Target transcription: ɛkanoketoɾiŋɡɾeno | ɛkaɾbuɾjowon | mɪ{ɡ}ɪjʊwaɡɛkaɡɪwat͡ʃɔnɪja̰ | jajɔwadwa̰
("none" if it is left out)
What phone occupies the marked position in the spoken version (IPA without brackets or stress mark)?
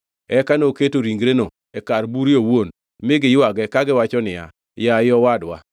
ɡ